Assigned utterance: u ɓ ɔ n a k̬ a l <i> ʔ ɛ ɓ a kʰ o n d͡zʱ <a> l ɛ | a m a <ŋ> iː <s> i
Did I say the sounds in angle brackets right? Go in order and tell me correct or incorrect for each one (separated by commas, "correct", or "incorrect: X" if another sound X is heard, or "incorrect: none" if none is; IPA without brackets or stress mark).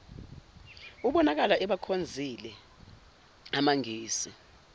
incorrect: a, incorrect: i, correct, correct